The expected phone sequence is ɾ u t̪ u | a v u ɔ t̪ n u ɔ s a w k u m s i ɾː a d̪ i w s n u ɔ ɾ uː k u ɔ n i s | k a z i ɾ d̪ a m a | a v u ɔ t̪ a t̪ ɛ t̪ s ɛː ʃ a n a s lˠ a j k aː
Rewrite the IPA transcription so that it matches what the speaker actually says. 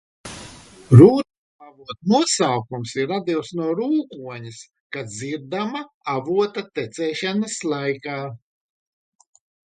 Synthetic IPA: ɾ uː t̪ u | a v u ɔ t̪ n u ɔ s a w k u m s i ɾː a d̪ i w s n u ɔ ɾ uː k u ɔ ɲ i s | k a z i ɾ d̪ a m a | a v u ɔ t̪ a t̪ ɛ t̪ s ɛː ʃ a n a s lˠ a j k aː